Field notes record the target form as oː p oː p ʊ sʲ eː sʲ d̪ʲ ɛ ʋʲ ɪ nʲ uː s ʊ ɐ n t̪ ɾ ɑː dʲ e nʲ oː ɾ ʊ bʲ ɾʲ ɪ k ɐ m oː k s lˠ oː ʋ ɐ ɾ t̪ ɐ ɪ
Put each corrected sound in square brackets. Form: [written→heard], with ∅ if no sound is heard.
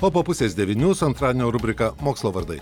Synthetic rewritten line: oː p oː p ʊ sʲ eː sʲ d̪ʲ ɛ ʋʲ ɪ nʲ uː s ʊ ɐ n t̪ ɾ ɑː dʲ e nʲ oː ɾ ʊ bʲ ɾʲ ɪ k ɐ m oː k s lˠ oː ʋ ɐ ɾ [t̪→d̪] ɐ ɪ